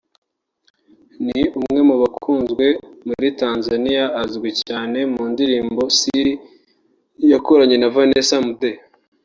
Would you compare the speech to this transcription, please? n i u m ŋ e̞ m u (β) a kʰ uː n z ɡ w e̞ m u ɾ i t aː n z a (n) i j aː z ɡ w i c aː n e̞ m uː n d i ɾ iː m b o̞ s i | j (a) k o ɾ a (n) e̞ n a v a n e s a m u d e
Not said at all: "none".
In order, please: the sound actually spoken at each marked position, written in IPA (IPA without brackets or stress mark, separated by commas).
β, n, a, ɲ